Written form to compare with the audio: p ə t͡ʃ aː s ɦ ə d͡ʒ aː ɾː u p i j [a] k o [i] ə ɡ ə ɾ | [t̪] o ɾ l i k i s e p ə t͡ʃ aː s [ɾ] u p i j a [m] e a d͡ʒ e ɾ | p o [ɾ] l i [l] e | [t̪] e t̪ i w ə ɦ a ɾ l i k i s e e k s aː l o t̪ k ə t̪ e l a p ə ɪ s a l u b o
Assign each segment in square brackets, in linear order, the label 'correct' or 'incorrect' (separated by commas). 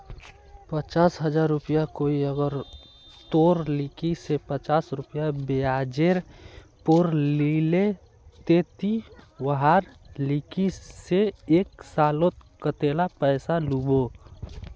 correct, correct, correct, correct, incorrect, correct, correct, correct